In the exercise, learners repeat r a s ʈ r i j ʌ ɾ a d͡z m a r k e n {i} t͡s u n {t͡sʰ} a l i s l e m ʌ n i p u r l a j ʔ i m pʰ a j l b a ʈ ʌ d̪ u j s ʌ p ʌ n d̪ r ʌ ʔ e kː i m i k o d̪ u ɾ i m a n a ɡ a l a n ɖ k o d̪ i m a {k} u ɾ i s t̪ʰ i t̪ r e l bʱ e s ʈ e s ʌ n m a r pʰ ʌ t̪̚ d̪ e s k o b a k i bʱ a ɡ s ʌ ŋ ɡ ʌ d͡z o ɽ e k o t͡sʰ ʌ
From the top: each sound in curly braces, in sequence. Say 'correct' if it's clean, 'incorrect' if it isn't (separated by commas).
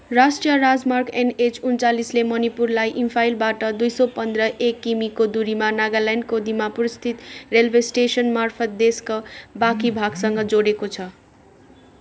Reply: incorrect, incorrect, incorrect